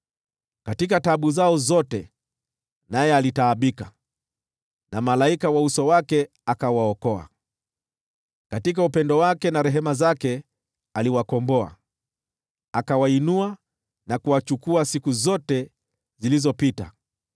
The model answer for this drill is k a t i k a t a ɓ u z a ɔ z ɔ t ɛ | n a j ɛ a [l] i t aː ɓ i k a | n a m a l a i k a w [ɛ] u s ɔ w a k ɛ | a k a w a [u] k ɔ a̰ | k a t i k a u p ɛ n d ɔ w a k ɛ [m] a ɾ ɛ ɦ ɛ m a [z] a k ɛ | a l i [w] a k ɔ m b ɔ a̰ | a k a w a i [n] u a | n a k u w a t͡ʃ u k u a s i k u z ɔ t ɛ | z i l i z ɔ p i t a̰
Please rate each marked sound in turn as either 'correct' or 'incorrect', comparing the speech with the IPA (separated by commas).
correct, incorrect, incorrect, incorrect, correct, correct, correct